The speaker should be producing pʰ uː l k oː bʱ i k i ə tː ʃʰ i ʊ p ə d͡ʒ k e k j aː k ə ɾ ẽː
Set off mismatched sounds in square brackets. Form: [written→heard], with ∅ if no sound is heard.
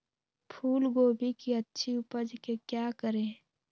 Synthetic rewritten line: pʰ uː l [k→ɡ] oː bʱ i k i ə tː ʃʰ i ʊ p ə d͡ʒ k e k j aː k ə ɾ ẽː